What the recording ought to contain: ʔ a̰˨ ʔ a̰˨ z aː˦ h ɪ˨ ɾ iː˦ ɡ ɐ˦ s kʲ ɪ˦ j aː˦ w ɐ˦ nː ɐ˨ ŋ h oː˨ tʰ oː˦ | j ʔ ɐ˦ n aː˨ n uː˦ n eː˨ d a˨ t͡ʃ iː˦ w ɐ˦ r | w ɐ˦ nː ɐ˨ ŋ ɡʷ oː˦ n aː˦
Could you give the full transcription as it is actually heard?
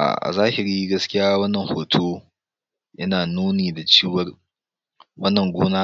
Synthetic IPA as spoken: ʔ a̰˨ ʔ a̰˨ z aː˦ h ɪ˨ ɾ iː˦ ɡ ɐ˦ s kʲ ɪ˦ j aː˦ w ɐ˦ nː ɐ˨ ŋ h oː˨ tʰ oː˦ | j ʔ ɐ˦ n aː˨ n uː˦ n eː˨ d a˨ t͡ʃ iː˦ w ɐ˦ r | w ɐ˦ nː ɐ˨ ŋ ɡʷ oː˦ n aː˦